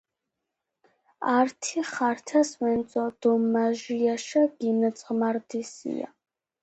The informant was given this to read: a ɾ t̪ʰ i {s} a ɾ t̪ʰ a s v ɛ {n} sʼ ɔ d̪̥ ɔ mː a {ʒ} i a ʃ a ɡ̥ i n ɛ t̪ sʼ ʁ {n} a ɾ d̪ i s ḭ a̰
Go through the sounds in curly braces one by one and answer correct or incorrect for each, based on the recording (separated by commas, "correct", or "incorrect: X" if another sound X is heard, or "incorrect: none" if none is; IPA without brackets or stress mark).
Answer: incorrect: χ, correct, correct, incorrect: m